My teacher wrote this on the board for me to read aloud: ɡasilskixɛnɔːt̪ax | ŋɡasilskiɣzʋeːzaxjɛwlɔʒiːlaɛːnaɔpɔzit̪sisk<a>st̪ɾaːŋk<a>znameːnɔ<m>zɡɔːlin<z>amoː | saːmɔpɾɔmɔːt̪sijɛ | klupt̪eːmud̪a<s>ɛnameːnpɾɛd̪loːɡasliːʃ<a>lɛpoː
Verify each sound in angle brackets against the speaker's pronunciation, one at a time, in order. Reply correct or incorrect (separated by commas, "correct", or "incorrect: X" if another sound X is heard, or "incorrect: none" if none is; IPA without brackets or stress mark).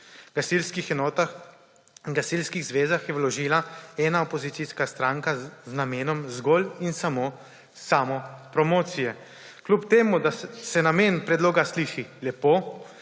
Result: correct, correct, correct, incorrect: s, correct, incorrect: i